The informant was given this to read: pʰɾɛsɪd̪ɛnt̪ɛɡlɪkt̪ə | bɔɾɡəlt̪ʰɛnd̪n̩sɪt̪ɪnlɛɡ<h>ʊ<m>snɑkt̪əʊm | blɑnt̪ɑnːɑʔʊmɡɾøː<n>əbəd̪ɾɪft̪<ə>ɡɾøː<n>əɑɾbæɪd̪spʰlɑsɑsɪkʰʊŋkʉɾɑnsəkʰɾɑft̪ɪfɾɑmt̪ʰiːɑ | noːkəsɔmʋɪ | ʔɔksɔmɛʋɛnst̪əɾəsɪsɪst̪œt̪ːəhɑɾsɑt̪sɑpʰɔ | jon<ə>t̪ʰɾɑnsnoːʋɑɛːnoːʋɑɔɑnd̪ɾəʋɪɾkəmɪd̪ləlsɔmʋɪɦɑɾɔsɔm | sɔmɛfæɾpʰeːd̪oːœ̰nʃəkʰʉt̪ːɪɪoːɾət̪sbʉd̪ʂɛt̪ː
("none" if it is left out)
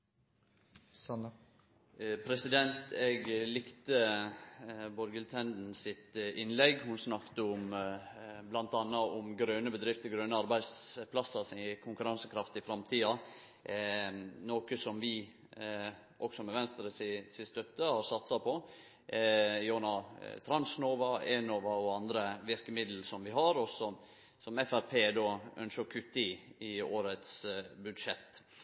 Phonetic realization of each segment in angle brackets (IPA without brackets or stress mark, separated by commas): h, n, n, ə, n, ɑ